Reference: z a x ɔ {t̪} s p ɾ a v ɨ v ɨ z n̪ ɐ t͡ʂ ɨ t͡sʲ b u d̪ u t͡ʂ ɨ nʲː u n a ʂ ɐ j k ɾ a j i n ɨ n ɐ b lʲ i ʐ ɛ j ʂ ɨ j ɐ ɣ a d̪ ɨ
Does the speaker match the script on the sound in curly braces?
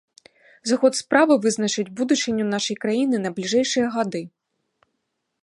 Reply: yes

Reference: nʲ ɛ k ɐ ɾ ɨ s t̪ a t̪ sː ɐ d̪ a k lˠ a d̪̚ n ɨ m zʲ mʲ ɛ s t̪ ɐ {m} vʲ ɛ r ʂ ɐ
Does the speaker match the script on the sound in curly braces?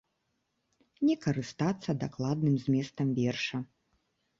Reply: yes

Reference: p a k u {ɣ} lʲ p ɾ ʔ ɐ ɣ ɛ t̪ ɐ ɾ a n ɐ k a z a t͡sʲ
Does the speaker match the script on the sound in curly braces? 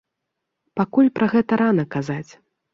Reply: no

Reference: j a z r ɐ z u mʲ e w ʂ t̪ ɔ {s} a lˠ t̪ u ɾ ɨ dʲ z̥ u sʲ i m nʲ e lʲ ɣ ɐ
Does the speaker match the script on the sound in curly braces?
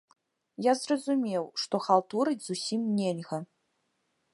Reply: no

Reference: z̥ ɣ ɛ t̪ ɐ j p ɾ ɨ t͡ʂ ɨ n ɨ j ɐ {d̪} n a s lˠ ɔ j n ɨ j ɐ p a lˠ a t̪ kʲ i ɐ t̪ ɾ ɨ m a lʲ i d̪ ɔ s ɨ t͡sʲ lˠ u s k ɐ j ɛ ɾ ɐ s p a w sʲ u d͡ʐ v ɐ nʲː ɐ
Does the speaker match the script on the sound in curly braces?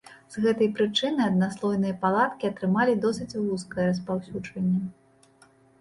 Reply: yes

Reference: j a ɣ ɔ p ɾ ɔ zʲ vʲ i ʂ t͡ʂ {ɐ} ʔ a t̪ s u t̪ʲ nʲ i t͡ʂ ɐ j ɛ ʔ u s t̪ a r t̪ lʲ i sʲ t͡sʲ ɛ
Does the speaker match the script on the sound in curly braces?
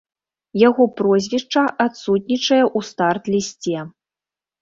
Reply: yes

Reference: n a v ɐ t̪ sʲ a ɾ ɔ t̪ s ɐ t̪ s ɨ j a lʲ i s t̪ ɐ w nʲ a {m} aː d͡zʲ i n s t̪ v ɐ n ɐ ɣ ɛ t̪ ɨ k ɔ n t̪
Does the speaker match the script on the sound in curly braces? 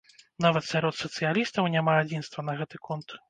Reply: yes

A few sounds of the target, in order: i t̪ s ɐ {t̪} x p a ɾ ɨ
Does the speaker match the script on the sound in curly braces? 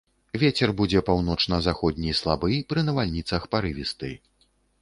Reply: no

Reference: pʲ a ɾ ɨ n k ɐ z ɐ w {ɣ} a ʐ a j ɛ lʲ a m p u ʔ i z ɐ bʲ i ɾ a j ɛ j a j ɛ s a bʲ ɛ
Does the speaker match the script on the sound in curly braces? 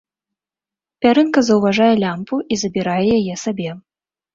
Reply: no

